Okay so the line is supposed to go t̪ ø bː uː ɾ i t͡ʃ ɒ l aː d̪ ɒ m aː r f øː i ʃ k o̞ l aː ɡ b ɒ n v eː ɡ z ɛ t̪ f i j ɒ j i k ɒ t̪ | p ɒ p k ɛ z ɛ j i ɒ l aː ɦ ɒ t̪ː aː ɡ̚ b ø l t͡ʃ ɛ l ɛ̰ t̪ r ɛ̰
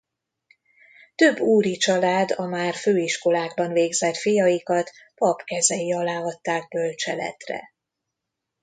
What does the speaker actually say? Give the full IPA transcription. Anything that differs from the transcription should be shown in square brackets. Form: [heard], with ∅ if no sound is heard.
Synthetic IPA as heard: t̪ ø bː uː ɾ i t͡ʃ ɒ l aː d̪ ɒ m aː r f øː i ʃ k o̞ l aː ɡ b ɒ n v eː ɡ z ɛ t̪ f i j ɒ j i k ɒ t̪ | p ɒ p k ɛ z ɛ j i ɒ l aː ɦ ɒ t̪ː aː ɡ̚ b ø l t͡ʃ ɛ l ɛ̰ t̪ r ɛ̰